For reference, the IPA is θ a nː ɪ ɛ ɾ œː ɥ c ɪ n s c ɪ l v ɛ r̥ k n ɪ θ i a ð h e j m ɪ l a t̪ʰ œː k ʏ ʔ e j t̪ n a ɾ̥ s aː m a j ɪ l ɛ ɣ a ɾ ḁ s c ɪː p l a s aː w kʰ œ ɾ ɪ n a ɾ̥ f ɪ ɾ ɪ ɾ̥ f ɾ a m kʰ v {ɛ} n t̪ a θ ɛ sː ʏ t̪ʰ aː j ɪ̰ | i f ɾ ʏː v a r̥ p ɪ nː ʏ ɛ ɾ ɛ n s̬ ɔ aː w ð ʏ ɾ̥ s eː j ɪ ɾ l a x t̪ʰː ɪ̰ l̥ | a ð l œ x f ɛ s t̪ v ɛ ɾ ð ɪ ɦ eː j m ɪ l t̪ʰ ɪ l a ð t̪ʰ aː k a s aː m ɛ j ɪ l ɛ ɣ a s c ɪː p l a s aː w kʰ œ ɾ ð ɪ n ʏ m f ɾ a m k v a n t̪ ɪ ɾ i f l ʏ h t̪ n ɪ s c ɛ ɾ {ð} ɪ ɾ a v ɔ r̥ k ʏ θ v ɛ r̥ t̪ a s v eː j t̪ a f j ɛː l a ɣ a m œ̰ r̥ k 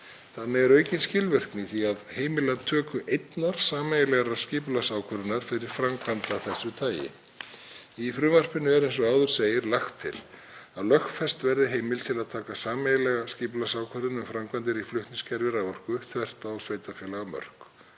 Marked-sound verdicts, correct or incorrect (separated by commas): incorrect, incorrect